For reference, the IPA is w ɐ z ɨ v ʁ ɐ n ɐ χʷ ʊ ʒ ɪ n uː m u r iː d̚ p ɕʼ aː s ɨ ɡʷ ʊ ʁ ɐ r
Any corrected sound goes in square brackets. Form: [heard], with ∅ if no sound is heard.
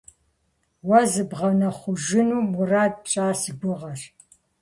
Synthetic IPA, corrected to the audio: w ɐ z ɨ [b] ʁ ɐ n ɐ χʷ ʊ ʒ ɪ n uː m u r [aː] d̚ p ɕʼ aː s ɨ ɡʷ ʊ ʁ ɐ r